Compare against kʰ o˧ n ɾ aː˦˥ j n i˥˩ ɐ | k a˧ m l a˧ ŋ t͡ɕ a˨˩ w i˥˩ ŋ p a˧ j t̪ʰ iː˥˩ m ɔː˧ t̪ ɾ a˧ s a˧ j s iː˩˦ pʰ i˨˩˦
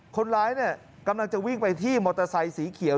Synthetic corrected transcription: kʰ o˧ n ɾ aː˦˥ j n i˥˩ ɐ | k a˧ m l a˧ ŋ t͡ɕ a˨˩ w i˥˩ ŋ p a˧ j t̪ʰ iː˥˩ m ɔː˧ t̪ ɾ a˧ s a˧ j s iː˩˦ kʰ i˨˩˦